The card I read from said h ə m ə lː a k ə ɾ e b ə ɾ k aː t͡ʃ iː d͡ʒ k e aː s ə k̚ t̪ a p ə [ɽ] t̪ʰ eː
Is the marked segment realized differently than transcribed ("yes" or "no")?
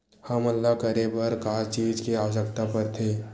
yes